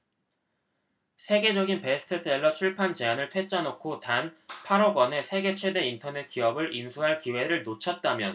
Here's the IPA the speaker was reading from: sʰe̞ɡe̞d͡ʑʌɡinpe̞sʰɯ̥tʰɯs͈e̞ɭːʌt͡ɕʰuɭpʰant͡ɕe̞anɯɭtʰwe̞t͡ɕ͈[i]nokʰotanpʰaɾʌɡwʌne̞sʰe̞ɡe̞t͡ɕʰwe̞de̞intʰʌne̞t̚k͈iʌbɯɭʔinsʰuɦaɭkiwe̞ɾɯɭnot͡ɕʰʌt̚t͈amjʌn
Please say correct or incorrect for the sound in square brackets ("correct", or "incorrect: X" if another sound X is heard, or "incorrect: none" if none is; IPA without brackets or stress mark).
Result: incorrect: a